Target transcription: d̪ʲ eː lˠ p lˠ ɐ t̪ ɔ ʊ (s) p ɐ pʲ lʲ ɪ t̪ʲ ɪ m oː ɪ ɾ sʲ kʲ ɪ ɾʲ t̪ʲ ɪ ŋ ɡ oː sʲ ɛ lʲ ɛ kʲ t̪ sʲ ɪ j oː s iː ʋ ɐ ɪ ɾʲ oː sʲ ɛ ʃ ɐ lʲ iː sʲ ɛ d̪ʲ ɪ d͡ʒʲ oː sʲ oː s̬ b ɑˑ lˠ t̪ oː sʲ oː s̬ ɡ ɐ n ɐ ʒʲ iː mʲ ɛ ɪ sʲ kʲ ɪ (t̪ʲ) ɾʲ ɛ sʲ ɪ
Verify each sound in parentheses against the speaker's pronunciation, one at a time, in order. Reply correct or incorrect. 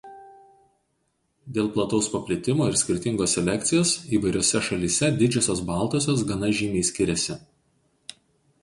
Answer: correct, incorrect: none

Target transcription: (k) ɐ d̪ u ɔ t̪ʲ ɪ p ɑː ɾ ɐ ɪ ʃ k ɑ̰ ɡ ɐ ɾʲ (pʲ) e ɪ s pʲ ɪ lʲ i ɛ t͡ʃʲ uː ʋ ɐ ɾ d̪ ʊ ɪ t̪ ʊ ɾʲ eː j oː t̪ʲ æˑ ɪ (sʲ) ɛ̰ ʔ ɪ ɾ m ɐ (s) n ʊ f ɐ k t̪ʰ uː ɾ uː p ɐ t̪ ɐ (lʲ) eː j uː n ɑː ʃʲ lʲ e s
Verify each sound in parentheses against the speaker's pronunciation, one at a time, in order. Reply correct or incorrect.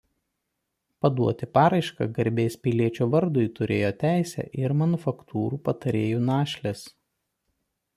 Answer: incorrect: p, incorrect: bʲ, correct, incorrect: none, incorrect: ɾʲ

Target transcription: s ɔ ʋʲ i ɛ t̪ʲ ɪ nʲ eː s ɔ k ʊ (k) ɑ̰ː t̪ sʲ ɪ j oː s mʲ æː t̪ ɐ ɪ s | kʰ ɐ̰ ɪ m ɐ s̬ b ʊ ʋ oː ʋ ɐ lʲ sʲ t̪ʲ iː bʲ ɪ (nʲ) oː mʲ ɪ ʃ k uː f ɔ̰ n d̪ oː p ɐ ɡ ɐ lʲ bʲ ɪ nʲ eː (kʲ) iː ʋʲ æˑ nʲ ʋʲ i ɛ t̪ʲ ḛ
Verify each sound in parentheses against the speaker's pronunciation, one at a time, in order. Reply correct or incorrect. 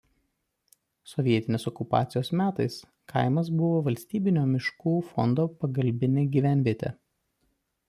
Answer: incorrect: p, correct, incorrect: ɡʲ

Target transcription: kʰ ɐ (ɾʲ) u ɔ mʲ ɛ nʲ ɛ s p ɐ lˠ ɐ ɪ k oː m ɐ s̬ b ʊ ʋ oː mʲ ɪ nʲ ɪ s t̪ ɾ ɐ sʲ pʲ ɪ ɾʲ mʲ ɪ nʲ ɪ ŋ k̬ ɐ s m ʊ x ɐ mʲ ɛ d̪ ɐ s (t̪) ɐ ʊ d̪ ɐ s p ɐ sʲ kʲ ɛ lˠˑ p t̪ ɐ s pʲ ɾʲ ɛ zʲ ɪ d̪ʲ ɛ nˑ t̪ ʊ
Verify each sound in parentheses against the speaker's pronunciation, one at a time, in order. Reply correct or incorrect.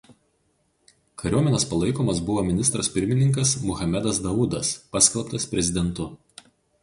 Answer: correct, incorrect: d̪

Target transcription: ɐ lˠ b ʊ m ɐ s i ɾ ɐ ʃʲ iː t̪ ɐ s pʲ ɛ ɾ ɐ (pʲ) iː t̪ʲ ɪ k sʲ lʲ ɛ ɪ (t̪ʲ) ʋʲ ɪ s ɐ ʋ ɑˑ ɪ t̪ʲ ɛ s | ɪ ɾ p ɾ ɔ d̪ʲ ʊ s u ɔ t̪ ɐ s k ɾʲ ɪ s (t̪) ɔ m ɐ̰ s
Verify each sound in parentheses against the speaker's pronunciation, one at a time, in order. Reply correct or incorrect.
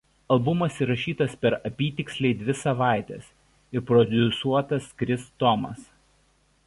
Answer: correct, incorrect: d̪ʲ, correct

